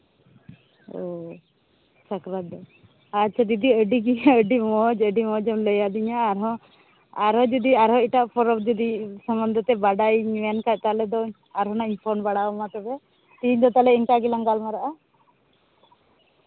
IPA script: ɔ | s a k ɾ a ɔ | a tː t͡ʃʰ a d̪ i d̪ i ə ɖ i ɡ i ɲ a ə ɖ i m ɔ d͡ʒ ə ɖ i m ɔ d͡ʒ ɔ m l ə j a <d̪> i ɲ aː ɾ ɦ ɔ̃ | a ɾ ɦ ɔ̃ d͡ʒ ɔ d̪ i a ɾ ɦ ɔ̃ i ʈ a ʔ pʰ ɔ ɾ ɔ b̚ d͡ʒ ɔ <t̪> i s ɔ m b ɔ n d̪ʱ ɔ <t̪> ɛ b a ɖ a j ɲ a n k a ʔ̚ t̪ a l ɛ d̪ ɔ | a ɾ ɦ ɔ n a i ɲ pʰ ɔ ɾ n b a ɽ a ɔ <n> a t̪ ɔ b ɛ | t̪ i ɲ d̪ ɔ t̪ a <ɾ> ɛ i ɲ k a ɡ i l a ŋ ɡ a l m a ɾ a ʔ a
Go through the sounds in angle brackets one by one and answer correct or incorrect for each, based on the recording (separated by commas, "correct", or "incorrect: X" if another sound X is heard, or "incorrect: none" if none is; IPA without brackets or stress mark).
correct, incorrect: d̪, correct, incorrect: m, incorrect: l